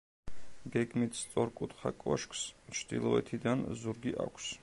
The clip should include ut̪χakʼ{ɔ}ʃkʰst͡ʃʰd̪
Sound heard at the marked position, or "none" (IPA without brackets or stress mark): ɔ